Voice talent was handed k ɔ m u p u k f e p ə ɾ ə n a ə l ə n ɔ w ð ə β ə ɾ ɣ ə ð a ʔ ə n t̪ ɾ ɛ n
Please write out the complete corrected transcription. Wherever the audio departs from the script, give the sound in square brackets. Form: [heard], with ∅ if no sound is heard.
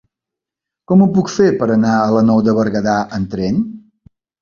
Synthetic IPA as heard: k ɔ m u p u k f e p ə ɾ ə n a ə l ə n ɔ w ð ə β ə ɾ ɣ ə ð a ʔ ə n t̪ ɾ ɛ n